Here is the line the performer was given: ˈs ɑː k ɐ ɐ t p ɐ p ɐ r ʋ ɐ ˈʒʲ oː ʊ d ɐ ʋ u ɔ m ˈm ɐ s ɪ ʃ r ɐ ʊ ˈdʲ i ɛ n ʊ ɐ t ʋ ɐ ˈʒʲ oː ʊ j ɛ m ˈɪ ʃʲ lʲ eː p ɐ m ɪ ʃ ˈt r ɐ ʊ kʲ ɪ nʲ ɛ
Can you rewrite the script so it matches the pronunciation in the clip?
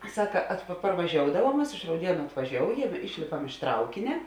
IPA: ˈs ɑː k ɐ ɐ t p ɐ p ɐ r ʋ ɐ ˈʒʲ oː ʊ d ɐ ʋ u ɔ m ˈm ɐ s ɪ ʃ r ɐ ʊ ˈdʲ i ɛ n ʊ ɐ t ʋ ɐ ˈʒʲ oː ʊ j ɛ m ˈɪ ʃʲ lʲ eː p ɐ m ɪ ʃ ˈt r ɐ ʊ kʲ ɪ nʲ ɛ